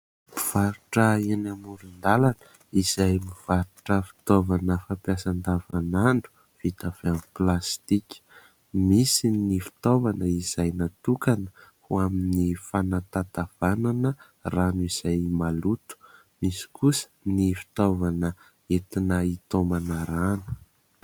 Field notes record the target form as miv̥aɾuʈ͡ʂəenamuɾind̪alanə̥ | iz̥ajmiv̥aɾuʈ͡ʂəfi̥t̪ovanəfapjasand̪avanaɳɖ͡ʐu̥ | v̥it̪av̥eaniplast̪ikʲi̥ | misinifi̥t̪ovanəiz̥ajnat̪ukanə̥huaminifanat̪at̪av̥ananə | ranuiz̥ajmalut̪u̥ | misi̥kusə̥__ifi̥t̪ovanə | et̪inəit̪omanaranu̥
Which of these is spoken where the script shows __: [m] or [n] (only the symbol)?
n